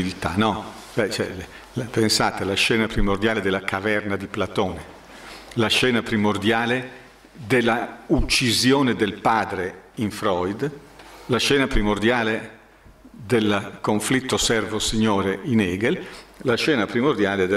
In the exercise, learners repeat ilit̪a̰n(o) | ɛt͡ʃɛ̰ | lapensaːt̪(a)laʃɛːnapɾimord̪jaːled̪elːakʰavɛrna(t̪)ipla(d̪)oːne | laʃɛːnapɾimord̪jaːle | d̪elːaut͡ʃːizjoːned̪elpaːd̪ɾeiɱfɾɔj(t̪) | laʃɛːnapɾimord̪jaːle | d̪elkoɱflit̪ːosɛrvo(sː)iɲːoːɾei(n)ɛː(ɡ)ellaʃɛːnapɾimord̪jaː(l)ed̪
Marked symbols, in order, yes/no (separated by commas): no, no, no, no, no, no, yes, yes, yes